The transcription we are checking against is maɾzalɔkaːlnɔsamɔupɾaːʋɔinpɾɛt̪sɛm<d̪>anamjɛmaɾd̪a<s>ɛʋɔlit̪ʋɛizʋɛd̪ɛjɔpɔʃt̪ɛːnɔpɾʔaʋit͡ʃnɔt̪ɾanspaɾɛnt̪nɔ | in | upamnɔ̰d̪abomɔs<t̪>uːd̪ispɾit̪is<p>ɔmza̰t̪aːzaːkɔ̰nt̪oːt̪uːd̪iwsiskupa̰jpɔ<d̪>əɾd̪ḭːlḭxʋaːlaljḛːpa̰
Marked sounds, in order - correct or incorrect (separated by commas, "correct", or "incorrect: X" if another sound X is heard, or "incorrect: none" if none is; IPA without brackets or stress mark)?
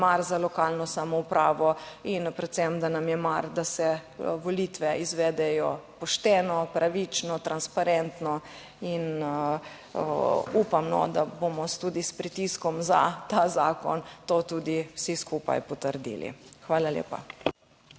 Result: correct, correct, correct, incorrect: k, incorrect: t̪